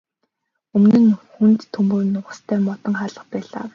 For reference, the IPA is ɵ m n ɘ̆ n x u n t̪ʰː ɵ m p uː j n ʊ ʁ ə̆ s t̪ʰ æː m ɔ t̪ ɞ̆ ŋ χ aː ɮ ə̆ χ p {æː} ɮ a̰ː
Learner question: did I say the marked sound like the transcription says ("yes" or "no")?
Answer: yes